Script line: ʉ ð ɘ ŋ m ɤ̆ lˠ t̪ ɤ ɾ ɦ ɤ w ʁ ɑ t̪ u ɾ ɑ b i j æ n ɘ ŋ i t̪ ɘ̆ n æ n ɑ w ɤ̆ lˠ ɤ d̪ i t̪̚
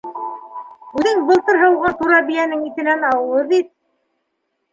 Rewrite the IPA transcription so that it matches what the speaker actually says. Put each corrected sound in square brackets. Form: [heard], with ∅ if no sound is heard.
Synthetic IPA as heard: ʉ ð ɘ ŋ [b] ɤ̆ lˠ t̪ ɤ ɾ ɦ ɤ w ʁ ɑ t̪ u ɾ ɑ b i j æ n ɘ ŋ i t̪ ɘ̆ n æ n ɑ w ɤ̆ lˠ ɤ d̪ i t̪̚